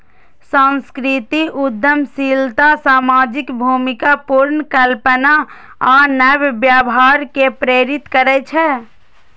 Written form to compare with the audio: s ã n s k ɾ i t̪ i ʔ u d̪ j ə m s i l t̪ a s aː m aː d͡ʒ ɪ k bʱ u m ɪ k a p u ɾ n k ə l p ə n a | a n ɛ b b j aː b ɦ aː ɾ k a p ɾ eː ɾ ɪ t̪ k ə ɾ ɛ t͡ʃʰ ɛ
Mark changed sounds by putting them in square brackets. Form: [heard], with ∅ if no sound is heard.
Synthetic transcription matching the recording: s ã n s k ɾ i t̪ i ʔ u d̪ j ə m s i l t̪ a s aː m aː d͡ʒ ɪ k bʱ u m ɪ k a p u ɾ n k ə l p ə n a | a n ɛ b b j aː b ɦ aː ɾ k [e] p ɾ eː ɾ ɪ t̪ k ə ɾ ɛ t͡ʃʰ ɛ